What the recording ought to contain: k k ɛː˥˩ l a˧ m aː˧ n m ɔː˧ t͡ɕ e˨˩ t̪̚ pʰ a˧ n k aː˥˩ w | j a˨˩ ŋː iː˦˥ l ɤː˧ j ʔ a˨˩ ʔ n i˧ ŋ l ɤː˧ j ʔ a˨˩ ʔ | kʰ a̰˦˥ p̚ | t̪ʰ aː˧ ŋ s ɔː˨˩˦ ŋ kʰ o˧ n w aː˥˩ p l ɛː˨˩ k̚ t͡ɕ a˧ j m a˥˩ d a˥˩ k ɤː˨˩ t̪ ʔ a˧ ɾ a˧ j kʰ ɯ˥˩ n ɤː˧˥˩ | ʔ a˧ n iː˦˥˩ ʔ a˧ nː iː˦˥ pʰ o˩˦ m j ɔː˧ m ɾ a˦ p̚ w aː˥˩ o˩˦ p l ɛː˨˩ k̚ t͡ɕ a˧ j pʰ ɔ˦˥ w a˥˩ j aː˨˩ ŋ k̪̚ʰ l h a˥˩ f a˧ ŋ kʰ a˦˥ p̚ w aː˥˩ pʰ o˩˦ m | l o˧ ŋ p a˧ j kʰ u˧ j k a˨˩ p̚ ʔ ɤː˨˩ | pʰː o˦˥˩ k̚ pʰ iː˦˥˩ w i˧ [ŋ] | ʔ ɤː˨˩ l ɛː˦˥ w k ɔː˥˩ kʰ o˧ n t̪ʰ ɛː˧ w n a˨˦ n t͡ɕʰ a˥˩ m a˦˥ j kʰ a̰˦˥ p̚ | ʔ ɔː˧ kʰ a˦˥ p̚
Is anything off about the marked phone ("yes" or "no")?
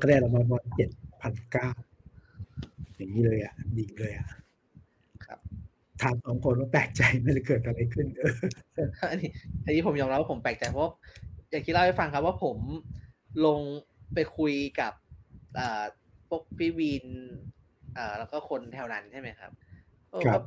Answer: yes